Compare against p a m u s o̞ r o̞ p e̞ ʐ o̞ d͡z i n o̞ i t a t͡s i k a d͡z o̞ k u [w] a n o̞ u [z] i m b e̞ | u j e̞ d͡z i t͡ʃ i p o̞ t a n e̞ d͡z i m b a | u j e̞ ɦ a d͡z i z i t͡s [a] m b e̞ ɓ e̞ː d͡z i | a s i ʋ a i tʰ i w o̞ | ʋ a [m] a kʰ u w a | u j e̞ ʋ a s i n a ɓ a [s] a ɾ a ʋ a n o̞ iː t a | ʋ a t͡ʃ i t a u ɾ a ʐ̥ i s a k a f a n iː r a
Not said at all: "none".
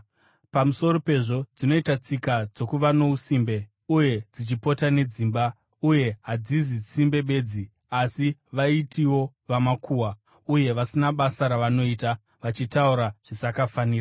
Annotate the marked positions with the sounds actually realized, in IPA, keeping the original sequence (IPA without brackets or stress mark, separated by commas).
ʋ, s, i, m, s